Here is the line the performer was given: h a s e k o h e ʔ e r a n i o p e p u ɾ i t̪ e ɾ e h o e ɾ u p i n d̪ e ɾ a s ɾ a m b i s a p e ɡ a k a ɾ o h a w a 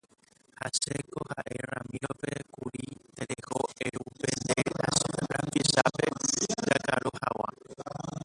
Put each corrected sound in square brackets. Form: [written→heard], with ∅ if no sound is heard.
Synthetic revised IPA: h a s e k o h [e→a] ʔ e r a [n→m] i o p e [p→k] u ɾ i t̪ e ɾ e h o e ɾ u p [i→e] n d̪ e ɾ a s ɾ a m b i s a p e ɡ a k a ɾ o h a w a